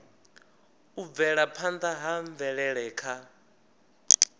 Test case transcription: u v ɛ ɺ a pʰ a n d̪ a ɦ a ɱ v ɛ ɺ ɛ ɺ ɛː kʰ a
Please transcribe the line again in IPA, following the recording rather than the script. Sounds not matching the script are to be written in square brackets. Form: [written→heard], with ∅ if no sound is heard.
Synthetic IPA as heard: u v ɛ ɺ a pʰ a n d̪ a ɦ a ɱ v ɛ ɺ ɛ ɺ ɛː kʰ a

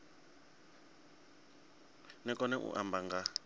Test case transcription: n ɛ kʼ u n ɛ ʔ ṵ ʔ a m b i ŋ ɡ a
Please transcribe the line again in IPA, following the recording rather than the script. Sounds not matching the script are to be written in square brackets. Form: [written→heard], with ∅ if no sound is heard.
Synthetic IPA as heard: n ɛ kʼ [u→ɔ] n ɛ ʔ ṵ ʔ a m b [i→a] ŋ ɡ a

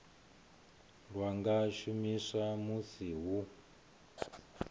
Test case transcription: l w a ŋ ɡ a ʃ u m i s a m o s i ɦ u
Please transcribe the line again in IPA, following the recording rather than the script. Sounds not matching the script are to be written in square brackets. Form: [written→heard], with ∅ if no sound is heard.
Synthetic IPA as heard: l w a ŋ ɡ a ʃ u m i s a m [o→u] s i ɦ u

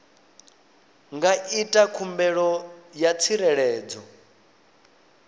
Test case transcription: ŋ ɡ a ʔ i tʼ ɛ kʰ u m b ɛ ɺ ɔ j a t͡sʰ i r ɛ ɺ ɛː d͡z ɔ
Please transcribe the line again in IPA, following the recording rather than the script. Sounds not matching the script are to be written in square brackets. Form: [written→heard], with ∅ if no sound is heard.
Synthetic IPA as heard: ŋ ɡ a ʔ i tʼ [ɛ→a] kʰ u m b ɛ ɺ ɔ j a t͡sʰ i [r→ɾ] ɛ ɺ ɛː d͡z ɔ

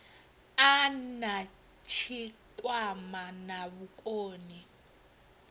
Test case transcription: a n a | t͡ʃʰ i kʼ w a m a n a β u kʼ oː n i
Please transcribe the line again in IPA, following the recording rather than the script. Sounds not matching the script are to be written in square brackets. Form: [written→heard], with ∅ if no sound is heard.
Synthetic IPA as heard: a n a | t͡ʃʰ i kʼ w a m a n a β u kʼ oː n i

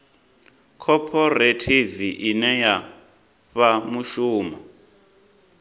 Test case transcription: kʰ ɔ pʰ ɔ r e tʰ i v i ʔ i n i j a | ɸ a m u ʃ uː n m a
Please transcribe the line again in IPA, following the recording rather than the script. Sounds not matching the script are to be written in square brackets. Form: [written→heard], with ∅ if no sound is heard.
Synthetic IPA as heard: kʰ ɔ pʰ ɔ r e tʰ i v i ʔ i n [i→ɛ] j a | ɸ a m u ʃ uː [n→∅] m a

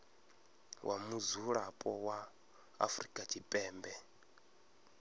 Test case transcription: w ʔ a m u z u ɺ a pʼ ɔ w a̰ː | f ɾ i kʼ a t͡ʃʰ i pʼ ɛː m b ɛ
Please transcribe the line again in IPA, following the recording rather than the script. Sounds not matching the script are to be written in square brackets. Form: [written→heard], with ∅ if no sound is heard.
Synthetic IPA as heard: w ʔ a m u z u ɺ a pʼ ɔ w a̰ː | f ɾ i kʼ a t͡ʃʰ i pʼ ɛː m b ɛ

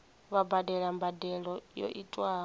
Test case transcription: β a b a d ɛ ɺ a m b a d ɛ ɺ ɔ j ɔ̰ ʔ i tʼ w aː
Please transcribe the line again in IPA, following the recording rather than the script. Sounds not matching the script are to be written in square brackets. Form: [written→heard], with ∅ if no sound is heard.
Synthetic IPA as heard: β a b a d ɛ ɺ a m b a d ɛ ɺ ɔ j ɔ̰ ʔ i tʼ w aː

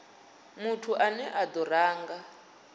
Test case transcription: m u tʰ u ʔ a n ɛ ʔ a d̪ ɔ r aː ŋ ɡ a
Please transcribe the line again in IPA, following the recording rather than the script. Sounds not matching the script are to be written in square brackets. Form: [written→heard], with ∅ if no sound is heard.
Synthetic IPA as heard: m u tʰ u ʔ a n ɛ ʔ a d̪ ɔ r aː ŋ ɡ a

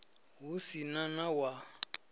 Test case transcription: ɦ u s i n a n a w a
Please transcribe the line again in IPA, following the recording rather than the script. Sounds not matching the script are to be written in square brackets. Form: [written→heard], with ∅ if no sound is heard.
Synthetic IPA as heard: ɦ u s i n a n a w a

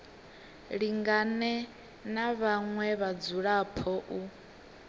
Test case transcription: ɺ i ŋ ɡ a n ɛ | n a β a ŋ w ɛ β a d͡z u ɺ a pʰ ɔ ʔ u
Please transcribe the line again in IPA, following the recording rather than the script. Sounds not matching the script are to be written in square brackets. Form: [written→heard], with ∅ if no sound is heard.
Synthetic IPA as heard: ɺ i ŋ ɡ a n ɛ | n a β a ŋ w ɛ β a d͡z u ɺ a pʰ ɔ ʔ u

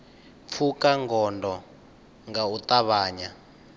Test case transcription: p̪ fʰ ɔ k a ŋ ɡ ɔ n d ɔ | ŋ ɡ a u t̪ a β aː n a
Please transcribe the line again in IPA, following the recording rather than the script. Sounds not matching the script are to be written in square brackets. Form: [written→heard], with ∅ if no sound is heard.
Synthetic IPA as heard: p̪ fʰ [ɔ→u] k a ŋ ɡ ɔ n d ɔ | ŋ ɡ a u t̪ a β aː [n→ɲ] a

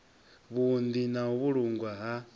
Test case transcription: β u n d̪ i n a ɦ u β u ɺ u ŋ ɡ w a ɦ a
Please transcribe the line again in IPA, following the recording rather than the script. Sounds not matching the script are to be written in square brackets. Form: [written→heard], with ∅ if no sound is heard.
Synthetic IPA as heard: β u n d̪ i n a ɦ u β u ɺ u ŋ ɡ w a ɦ a

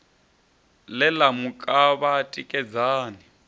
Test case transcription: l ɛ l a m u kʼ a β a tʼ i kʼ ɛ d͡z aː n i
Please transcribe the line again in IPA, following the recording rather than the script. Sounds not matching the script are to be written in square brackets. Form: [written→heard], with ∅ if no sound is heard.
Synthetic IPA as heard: l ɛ l a m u kʼ a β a tʼ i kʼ ɛ d͡z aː n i

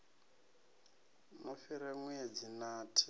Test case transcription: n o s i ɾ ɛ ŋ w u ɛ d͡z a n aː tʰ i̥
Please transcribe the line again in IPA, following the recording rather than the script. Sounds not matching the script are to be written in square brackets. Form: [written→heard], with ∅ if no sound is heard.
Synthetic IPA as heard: n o [s→f] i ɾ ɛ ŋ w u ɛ d͡z [a→i] n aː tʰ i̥

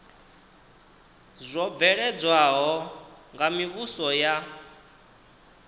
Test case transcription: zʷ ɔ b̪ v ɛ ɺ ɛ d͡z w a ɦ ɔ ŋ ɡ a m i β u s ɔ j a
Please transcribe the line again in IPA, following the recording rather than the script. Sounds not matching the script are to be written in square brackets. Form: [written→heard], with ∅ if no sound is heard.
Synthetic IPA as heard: zʷ ɔ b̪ v ɛ ɺ ɛ d͡z w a ɦ ɔ ŋ ɡ a m i β u s ɔ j a

